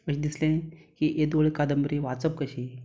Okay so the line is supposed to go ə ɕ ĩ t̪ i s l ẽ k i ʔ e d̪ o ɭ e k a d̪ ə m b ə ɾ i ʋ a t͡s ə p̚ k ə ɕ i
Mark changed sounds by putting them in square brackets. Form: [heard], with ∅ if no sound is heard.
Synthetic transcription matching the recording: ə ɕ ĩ [d̪] i s l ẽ k i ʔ e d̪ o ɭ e k a d̪ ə m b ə ɾ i ʋ a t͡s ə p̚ k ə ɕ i